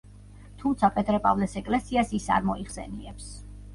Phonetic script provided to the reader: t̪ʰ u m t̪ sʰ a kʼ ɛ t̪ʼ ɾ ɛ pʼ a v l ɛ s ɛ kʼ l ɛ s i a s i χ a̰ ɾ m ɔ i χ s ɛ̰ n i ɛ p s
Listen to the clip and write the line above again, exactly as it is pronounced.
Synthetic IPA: t̪ʰ u m t̪ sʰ a pʼ ɛ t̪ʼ ɾ ɛ pʼ a v l ɛ s ɛ kʼ l ɛ s i a s i s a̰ ɾ m ɔ i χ s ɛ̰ n i ɛ p s